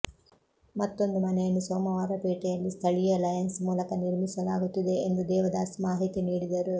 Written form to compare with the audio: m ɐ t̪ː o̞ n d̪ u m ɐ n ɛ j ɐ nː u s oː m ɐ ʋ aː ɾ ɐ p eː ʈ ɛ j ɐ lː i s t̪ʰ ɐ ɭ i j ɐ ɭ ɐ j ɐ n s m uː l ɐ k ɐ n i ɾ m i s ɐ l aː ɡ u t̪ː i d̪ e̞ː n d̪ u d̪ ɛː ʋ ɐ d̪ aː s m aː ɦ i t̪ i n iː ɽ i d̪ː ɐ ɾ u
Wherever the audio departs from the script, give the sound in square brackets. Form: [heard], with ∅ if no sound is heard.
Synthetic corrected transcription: m ɐ t̪ː o̞ n d̪ u m ɐ n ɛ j ɐ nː u s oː m ɐ ʋ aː ɾ ɐ p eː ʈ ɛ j ɐ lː i s t̪ʰ ɐ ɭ i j ɐ [l] ɐ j ɐ n s m uː l ɐ k ɐ n i ɾ m i s ɐ l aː ɡ u t̪ː i d̪ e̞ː n d̪ u d̪ ɛː ʋ ɐ d̪ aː s m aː ɦ i t̪ i n iː ɽ i [d̪] ɐ ɾ u

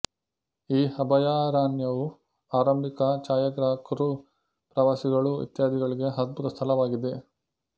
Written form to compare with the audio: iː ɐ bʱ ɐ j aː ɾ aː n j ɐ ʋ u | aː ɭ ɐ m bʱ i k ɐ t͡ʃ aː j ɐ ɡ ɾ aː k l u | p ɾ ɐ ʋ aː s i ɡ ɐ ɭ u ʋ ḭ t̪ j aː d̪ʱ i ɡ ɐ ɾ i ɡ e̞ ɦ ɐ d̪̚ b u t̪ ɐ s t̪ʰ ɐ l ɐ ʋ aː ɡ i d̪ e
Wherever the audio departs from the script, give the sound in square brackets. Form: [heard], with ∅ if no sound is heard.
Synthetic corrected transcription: iː ɐ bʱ ɐ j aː ɾ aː n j ɐ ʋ u | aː [ɾ] ɐ m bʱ i k ɐ t͡ʃ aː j ɐ ɡ ɾ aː k [ɾ] u | p ɾ ɐ ʋ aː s i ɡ ɐ ɭ u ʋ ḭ t̪ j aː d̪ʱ i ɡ ɐ [ɭ] i ɡ e̞ ɦ ɐ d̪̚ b u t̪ ɐ s t̪ʰ ɐ l ɐ ʋ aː ɡ i d̪ e

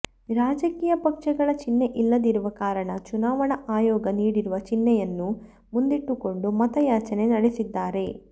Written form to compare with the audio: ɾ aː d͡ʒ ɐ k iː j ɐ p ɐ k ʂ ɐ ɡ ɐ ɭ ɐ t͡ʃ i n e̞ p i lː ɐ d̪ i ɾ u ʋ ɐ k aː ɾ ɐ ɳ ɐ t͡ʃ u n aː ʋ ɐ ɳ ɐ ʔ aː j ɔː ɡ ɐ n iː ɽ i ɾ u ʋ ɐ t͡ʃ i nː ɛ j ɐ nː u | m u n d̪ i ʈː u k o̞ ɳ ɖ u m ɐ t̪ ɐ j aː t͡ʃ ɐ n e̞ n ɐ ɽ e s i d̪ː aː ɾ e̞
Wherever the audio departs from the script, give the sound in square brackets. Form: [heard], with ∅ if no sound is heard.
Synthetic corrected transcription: ɾ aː d͡ʒ ɐ k iː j ɐ p ɐ k ʂ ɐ ɡ ɐ ɭ ɐ t͡ʃ i [nː] e̞ [ʔ] i lː ɐ d̪ i ɾ u ʋ ɐ k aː ɾ ɐ ɳ ɐ t͡ʃ u n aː ʋ ɐ ɳ ɐ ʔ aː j ɔː ɡ ɐ n iː ɽ i ɾ u ʋ ɐ t͡ʃ i nː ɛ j ɐ nː u | m u n d̪ i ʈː u k o̞ ɳ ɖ u m ɐ t̪ ɐ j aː t͡ʃ ɐ n e̞ n ɐ ɽ e s i d̪ː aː ɾ e̞

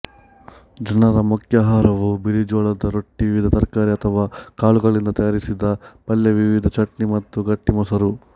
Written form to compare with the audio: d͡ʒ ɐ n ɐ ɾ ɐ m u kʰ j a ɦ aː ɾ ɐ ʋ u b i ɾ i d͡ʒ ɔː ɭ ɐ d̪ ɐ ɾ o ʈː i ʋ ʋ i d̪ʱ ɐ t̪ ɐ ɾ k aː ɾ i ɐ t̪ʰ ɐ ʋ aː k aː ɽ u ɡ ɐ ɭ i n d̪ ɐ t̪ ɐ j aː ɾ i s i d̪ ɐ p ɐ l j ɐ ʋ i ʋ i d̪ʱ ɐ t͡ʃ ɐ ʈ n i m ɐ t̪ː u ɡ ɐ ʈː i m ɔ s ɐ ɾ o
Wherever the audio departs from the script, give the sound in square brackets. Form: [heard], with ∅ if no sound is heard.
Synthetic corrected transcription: d͡ʒ ɐ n ɐ ɾ ɐ m u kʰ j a ɦ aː ɾ ɐ ʋ u b i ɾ i d͡ʒ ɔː ɭ ɐ d̪ ɐ ɾ o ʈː i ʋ ʋ i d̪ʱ ɐ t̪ ɐ ɾ k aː ɾ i ɐ t̪ʰ ɐ ʋ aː k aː [ɭ] u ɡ ɐ ɭ i n d̪ ɐ t̪ ɐ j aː ɾ i s i d̪ ɐ p ɐ l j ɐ ʋ i ʋ i d̪ʱ ɐ t͡ʃ ɐ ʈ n i m ɐ t̪ː u ɡ ɐ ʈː i m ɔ s ɐ ɾ [u]

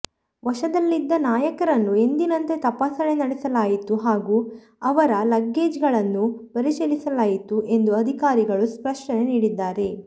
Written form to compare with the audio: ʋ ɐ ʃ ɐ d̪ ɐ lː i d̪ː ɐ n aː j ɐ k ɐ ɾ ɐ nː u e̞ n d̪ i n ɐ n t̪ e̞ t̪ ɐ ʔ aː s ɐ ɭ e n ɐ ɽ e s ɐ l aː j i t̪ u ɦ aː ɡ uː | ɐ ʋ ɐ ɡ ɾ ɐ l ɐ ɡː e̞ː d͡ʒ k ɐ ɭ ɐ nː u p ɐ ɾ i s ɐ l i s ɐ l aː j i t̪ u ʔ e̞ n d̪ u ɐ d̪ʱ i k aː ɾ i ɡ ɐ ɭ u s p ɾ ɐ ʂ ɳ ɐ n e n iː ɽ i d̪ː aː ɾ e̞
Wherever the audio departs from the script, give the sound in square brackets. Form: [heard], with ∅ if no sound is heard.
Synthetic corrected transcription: ʋ ɐ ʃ ɐ d̪ ɐ lː i d̪ː ɐ n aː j ɐ k ɐ ɾ ɐ nː u e̞ n d̪ i n ɐ n t̪ e̞ t̪ ɐ [p] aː s ɐ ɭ e n ɐ ɽ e s ɐ l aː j i t̪ u ɦ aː ɡ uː | ɐ ʋ ɐ [∅] ɾ ɐ l ɐ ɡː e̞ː d͡ʒ [ɡ] ɐ ɭ ɐ nː u p ɐ ɾ i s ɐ l i s ɐ l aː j i t̪ u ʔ e̞ n d̪ u ɐ d̪ʱ i k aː ɾ i ɡ ɐ ɭ u s p ɾ ɐ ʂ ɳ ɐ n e n iː ɽ i d̪ː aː ɾ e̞

